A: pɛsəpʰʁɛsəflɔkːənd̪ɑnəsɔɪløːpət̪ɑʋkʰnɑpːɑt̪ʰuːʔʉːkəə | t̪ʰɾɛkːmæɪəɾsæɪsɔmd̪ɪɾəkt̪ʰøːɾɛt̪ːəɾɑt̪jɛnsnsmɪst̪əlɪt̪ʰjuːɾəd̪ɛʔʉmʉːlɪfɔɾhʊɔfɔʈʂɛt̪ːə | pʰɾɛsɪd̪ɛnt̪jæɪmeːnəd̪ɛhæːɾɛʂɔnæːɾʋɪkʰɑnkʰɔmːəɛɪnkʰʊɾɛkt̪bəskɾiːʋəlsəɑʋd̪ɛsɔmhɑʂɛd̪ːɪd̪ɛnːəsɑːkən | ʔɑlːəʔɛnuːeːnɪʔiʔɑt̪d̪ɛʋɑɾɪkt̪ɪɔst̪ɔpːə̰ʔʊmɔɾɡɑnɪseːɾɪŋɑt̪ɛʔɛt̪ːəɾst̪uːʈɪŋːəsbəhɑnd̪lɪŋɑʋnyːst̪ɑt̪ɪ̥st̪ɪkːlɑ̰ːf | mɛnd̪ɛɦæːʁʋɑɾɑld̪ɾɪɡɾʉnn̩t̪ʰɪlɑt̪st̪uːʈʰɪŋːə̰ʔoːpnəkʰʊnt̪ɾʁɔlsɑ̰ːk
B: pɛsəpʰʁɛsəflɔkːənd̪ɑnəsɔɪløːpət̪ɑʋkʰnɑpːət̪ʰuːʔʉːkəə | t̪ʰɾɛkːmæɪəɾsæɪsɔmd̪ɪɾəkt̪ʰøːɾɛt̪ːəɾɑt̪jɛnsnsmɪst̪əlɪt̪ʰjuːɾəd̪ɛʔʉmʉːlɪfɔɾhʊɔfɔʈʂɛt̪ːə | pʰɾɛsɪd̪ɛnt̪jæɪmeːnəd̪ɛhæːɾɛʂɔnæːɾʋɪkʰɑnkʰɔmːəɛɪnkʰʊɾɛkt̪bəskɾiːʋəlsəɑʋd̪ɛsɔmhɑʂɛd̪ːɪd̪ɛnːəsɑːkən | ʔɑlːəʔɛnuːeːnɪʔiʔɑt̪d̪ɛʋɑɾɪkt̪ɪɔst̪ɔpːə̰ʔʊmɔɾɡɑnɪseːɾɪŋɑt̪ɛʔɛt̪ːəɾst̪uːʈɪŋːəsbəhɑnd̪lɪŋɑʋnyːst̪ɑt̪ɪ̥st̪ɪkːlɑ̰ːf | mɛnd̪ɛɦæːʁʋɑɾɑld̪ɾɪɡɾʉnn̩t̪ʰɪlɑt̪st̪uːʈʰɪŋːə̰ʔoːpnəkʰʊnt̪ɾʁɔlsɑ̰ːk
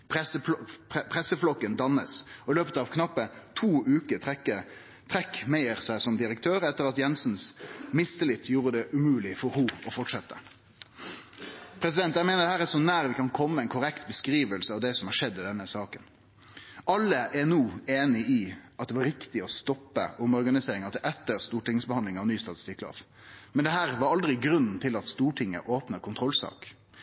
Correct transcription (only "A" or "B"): B